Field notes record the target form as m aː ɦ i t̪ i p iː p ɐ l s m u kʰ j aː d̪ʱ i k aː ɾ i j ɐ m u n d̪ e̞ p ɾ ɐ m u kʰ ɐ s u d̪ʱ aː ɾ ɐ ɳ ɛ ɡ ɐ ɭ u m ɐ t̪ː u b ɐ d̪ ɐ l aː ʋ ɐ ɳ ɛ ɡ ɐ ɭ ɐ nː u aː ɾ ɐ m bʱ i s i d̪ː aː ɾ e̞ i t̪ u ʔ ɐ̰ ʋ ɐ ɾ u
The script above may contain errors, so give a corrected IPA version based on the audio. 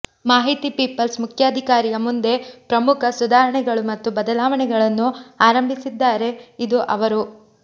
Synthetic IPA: m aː ɦ i t̪ i p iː p ɐ l s m u kʰ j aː d̪ʱ i k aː ɾ i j ɐ m u n d̪ e̞ p ɾ ɐ m u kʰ ɐ s u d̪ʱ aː ɾ ɐ ɳ ɛ ɡ ɐ ɭ u m ɐ t̪ː u b ɐ d̪ ɐ l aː ʋ ɐ ɳ ɛ ɡ ɐ ɭ ɐ nː u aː ɾ ɐ m bʱ i s i d̪ː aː ɾ e̞ i d̪ u ʔ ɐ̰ ʋ ɐ ɾ u